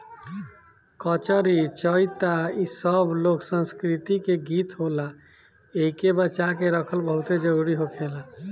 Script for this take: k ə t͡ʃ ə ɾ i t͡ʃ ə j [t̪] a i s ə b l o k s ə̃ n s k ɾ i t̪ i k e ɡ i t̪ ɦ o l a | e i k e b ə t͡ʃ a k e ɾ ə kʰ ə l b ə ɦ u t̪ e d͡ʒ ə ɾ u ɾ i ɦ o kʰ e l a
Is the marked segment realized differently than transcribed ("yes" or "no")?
no